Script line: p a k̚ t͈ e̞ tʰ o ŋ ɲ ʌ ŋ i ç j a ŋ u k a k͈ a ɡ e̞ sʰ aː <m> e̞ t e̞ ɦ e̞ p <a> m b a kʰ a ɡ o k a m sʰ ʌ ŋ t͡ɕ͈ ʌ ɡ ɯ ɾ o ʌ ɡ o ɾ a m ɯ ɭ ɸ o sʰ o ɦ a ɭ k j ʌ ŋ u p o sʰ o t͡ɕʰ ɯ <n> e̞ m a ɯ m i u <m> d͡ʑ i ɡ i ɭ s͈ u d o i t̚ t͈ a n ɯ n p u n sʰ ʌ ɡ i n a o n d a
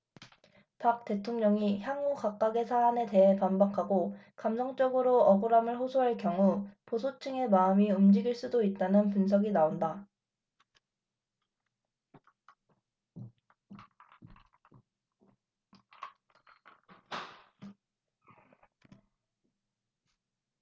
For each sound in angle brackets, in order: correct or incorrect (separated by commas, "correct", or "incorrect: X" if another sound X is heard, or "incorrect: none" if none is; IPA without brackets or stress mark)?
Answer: incorrect: n, correct, incorrect: ŋ, correct